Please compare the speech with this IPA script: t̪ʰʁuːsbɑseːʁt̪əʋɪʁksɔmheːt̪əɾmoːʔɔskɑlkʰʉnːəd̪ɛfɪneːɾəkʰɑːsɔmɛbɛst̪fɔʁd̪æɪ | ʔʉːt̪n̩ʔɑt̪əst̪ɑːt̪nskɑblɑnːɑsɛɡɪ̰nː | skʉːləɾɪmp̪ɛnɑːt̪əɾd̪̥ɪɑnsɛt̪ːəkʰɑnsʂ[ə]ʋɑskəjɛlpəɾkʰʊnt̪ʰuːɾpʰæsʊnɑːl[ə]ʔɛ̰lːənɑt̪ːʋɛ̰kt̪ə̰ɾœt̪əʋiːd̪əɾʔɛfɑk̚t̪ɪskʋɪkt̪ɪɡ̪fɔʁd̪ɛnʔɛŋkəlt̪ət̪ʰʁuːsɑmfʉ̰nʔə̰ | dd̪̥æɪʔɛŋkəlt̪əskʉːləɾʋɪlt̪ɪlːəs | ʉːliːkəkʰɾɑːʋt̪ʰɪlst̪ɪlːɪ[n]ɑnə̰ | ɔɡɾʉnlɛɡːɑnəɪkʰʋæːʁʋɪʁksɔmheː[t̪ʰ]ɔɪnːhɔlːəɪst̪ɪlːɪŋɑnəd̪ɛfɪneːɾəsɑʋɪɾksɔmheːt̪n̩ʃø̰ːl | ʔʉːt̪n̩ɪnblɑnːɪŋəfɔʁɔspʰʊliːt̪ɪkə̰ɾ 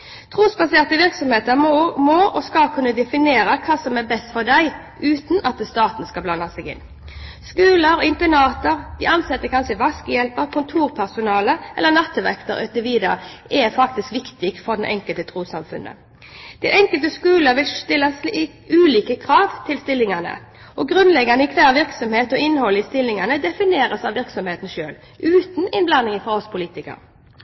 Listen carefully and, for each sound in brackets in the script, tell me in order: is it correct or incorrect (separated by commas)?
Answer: correct, correct, incorrect, incorrect